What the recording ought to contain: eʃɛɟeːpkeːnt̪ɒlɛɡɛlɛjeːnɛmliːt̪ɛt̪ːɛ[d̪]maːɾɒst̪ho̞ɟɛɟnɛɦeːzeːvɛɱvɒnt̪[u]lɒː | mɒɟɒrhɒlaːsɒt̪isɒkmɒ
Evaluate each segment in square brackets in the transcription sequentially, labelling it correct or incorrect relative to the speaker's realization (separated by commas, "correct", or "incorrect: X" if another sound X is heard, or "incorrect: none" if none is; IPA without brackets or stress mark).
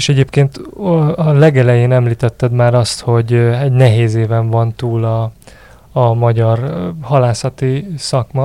correct, incorrect: uː